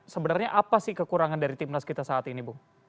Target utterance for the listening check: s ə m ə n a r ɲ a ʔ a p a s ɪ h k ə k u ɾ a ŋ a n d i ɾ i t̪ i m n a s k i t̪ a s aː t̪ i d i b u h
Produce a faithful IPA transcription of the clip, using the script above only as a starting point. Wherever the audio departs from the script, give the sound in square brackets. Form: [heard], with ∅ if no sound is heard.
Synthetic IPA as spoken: s ə [b] ə n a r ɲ a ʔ a p a s ɪ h k ə k u ɾ a ŋ a n d [a] ɾ i t̪ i m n a s k i t̪ a s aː t̪ i [n] i b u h